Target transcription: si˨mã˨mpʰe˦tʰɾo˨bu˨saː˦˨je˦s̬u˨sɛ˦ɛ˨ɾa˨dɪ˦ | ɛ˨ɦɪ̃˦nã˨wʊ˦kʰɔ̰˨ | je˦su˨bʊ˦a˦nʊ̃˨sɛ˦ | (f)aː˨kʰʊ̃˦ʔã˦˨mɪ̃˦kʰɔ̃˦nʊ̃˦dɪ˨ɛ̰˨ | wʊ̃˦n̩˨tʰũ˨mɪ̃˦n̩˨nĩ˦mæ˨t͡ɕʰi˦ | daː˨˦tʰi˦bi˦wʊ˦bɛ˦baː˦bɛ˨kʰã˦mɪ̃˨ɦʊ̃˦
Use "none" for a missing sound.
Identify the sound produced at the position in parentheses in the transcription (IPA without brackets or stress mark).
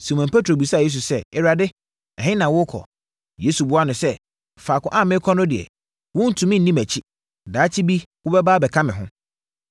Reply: f